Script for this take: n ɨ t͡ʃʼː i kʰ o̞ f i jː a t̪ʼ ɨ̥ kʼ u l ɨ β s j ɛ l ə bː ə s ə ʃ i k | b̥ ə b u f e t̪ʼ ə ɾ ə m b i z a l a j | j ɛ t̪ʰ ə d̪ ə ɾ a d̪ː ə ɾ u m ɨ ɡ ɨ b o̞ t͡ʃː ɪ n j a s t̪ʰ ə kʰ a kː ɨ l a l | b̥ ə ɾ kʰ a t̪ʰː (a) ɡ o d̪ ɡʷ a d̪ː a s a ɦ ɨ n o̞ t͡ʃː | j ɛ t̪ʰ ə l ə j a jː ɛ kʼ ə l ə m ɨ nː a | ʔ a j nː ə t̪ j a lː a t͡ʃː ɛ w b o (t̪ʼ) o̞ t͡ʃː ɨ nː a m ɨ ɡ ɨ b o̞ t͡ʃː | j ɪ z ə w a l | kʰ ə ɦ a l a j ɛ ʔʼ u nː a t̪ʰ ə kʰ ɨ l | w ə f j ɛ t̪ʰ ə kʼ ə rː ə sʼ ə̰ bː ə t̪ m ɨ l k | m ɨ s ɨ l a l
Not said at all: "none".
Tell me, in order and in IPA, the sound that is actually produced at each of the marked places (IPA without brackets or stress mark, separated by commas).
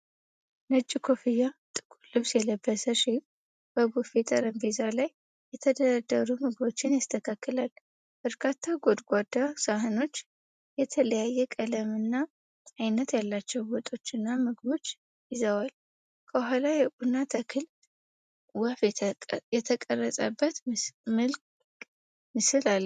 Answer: a, t̪ʼ